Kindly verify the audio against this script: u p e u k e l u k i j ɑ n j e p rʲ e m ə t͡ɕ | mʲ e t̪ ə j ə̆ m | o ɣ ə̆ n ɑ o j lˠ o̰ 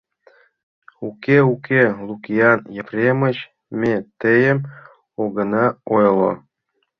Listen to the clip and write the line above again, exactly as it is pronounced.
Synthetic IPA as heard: u k e u k e l u k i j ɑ n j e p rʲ e m ə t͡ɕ | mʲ e t̪ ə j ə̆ m | o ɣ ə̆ n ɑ o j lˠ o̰